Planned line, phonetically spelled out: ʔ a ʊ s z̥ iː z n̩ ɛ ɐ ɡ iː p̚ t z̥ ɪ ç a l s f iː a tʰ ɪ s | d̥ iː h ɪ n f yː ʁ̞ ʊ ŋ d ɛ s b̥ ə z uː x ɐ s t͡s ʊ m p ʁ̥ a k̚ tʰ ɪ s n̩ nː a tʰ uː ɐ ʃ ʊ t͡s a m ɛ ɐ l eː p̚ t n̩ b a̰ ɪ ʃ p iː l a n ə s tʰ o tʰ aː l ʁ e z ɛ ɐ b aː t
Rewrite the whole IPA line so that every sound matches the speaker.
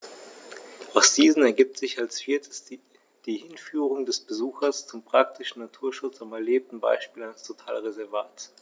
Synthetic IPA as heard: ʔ a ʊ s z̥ iː z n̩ ɛ ɐ ɡ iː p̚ t z̥ ɪ ç a l s f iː ɐ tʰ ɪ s | d̥ iː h ɪ n f yː ʁ̞ ʊ ŋ d ɛ s b̥ ə z uː x ɐ s t͡s ʊ m p ʁ̥ a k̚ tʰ ɪ ʃ n̩ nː a tʰ uː ɐ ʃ ʊ t͡s a m ɛ ɐ l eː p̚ t n̩ b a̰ ɪ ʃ p iː l a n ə s tʰ o tʰ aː l ʁ e z ɛ ɐ v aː t